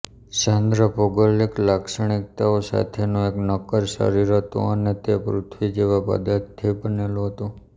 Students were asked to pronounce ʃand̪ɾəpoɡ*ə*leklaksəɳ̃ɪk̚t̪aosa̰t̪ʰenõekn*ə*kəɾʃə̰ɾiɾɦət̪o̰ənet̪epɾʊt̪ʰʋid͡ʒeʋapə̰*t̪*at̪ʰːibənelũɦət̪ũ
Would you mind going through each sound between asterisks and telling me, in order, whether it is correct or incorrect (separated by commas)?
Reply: correct, correct, incorrect